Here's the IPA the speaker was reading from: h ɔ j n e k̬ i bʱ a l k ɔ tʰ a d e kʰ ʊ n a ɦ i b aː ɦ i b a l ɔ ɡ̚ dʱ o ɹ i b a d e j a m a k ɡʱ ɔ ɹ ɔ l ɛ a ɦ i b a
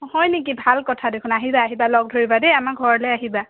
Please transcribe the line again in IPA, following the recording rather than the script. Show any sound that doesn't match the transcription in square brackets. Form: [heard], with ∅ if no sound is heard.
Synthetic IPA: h ɔ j n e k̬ i bʱ a l k ɔ tʰ a d e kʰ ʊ n a ɦ i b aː ɦ i b a l ɔ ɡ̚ dʱ o ɹ i b a d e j a m a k ɡʱ ɔ ɹ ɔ l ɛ a ɦ i b a